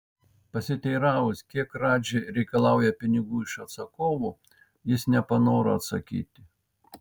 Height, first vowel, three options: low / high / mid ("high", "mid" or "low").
low